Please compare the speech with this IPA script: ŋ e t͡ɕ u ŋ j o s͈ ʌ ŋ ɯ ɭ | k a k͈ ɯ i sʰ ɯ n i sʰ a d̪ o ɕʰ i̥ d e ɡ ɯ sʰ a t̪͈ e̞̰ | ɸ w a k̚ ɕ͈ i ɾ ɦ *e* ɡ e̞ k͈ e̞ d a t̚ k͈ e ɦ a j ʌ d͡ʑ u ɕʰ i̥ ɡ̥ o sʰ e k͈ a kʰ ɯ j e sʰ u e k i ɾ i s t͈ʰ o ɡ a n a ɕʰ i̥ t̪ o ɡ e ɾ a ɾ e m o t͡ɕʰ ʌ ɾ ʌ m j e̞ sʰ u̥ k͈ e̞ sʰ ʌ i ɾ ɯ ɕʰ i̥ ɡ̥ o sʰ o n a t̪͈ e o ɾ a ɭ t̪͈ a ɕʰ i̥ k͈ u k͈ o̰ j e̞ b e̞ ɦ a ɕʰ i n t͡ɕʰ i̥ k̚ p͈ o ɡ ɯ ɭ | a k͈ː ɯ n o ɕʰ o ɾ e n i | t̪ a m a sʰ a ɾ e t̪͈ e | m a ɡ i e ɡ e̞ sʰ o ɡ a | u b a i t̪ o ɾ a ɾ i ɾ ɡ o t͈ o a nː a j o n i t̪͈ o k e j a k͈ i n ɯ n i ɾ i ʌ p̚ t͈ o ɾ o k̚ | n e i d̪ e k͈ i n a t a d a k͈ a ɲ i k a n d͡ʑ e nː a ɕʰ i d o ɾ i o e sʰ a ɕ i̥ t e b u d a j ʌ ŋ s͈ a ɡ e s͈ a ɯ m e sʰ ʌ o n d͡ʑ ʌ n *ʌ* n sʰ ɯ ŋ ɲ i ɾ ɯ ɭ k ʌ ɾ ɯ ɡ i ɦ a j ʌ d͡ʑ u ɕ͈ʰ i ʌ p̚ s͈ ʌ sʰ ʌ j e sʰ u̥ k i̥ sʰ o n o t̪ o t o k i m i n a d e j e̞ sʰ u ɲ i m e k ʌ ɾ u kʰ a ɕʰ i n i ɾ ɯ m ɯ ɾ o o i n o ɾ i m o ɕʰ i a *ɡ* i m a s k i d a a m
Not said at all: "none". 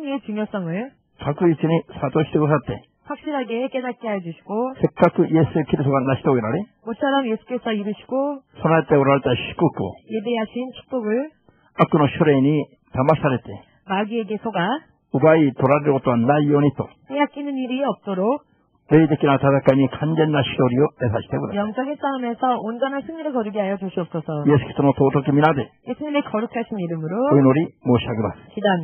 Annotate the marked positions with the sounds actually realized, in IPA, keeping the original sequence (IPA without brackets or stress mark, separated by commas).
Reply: a, a, ɡ